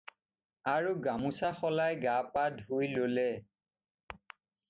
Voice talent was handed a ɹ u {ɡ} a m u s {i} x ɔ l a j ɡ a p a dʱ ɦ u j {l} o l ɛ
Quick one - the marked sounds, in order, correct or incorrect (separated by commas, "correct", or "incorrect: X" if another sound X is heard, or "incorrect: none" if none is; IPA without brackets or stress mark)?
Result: correct, incorrect: a, correct